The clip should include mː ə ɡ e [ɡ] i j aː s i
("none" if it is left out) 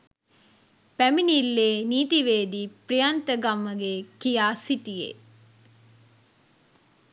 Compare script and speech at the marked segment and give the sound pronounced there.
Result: k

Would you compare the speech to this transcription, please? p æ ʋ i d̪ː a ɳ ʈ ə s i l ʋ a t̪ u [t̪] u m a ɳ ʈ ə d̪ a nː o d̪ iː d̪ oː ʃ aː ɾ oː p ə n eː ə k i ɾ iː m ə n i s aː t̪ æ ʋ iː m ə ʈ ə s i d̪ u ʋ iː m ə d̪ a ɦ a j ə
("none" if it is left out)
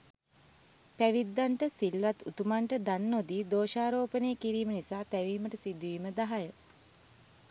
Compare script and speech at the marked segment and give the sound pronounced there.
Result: t̪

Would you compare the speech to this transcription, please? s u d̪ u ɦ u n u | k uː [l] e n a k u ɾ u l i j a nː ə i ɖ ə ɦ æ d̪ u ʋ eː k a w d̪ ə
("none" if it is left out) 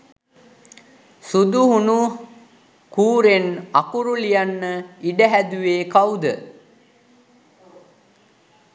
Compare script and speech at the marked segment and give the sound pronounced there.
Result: ɾ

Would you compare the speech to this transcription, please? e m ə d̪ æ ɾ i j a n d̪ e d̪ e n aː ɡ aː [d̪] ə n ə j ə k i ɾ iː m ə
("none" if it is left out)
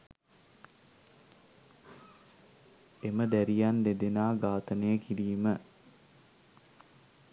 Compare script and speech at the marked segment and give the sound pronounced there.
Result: t̪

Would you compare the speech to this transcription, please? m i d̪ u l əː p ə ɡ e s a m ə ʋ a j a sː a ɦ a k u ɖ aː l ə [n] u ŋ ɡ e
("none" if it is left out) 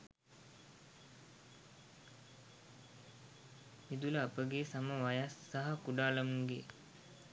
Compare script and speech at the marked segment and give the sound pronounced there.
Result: m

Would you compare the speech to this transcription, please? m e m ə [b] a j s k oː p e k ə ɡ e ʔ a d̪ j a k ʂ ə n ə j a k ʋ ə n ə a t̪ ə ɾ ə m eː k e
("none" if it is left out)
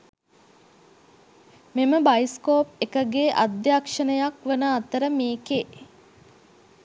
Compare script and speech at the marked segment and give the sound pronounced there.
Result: b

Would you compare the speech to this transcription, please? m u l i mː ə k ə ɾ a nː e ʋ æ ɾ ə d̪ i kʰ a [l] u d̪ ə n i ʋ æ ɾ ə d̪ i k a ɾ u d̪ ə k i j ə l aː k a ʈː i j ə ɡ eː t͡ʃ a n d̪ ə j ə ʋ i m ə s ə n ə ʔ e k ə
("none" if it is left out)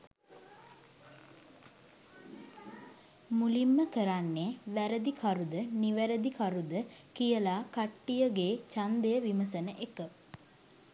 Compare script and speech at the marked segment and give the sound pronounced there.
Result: ɾ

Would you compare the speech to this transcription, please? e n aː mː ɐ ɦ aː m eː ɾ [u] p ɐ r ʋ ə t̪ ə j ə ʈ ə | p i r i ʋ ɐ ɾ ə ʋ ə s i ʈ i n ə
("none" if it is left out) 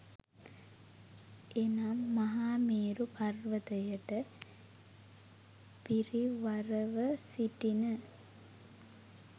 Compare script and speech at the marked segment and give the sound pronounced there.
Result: u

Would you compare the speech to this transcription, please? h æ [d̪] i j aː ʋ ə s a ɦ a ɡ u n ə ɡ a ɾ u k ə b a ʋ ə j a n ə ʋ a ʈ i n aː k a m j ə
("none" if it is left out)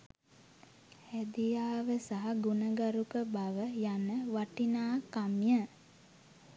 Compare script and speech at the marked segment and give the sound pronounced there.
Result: d̪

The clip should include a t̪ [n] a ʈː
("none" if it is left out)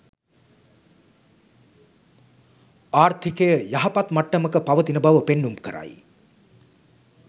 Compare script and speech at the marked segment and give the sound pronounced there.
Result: m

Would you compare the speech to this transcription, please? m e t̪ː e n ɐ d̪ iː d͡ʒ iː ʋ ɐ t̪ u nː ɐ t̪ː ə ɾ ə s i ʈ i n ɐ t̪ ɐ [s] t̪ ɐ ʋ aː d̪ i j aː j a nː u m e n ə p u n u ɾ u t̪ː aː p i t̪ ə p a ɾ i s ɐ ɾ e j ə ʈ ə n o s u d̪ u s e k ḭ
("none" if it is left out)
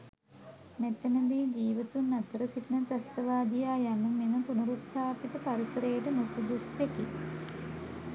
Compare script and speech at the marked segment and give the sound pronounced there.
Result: s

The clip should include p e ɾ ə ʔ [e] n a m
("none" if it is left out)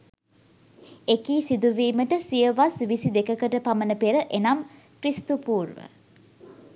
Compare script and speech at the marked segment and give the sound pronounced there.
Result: e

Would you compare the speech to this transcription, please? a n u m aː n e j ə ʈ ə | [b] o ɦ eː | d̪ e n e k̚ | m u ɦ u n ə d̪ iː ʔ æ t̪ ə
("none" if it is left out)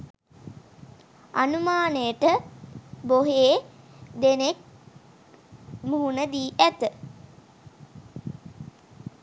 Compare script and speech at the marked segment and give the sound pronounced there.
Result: b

